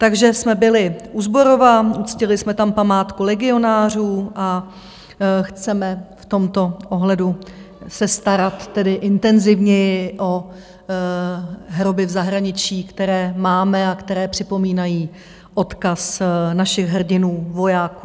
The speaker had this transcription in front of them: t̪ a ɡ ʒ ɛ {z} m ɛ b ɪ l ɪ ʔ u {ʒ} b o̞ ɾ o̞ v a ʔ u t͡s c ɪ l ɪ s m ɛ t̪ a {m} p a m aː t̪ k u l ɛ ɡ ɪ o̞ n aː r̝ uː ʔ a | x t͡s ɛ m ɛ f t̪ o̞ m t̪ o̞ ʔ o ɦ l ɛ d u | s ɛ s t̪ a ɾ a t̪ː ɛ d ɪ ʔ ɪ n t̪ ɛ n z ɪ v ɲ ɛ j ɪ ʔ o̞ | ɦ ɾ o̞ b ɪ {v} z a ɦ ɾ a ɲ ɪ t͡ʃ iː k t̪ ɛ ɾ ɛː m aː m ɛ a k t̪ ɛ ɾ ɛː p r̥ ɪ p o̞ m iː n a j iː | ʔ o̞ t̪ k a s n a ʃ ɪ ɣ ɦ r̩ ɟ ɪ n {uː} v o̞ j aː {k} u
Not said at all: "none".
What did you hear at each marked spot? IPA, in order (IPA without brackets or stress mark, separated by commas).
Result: s, z, m, v, uː, k